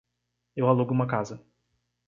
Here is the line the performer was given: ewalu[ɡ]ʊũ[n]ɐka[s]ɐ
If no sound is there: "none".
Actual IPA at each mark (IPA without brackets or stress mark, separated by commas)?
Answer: ɡ, m, z